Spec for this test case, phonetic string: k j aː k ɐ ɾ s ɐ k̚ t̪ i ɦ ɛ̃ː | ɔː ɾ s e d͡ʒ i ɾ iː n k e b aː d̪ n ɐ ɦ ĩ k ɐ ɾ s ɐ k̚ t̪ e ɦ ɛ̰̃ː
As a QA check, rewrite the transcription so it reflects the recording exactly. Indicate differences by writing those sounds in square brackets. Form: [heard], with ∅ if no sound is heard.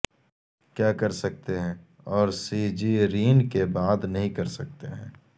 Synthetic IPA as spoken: k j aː k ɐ ɾ s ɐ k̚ t̪ [e] ɦ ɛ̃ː | ɔː ɾ s [i] d͡ʒ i ɾ iː n k e b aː d̪ n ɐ ɦ ĩ k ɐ ɾ s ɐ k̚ t̪ e ɦ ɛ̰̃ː